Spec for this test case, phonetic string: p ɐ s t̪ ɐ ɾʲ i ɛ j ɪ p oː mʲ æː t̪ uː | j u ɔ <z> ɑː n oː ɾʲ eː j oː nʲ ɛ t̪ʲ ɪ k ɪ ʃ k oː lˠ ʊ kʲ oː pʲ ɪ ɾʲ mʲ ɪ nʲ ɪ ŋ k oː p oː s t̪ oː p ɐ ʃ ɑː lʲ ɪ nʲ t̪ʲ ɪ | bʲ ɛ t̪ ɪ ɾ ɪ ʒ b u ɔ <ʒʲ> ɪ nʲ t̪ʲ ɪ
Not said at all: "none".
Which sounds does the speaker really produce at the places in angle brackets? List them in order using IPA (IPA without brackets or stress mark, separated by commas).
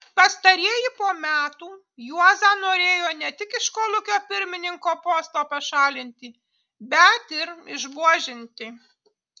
z, ʒʲ